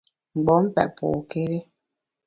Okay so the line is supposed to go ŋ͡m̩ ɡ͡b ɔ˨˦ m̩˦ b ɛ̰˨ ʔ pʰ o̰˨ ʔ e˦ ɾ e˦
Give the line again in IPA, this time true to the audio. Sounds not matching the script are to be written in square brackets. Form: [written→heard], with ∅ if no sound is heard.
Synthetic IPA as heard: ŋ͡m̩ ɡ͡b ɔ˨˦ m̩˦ [b→p] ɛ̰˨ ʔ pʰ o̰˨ [ʔ→k] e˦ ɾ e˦